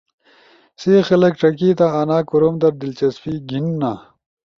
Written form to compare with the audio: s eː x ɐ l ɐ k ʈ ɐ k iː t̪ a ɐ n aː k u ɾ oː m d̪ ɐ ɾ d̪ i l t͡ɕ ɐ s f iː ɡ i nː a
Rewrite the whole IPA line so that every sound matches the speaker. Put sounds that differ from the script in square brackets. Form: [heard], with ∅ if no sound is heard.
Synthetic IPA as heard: s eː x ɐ l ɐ k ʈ ɐ k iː t̪ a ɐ n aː k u ɾ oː m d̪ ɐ ɾ d̪ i l t͡ɕ ɐ s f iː ɡ i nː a